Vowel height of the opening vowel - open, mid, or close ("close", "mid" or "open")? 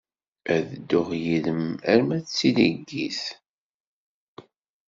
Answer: open